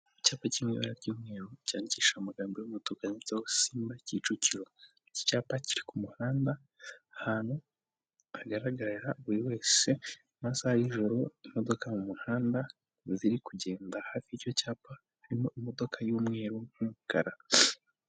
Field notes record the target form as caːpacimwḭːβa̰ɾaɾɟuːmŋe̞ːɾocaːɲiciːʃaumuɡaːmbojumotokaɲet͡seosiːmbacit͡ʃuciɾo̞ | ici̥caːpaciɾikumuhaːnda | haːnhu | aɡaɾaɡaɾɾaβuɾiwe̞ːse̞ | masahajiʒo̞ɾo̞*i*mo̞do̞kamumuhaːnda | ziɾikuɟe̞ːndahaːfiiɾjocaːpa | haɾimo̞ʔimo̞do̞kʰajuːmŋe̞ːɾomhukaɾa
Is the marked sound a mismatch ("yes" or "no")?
no